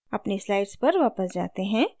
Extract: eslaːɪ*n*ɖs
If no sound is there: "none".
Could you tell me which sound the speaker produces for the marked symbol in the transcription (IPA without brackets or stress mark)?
none